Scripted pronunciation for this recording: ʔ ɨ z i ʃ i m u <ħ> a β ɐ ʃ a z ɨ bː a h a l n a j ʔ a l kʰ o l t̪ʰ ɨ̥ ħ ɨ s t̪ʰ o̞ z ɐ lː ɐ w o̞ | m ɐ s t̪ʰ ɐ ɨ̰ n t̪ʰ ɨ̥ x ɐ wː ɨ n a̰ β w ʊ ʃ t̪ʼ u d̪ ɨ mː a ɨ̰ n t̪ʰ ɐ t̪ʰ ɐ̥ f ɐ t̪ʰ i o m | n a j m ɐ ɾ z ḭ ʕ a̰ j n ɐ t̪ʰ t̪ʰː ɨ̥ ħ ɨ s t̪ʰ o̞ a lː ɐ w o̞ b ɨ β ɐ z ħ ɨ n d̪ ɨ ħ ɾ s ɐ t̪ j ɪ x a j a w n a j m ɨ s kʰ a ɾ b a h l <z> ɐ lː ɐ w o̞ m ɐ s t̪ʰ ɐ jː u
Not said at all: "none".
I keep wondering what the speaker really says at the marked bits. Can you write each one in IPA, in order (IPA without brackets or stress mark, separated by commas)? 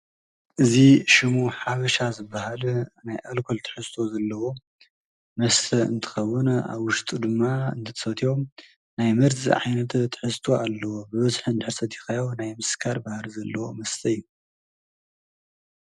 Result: ħ, z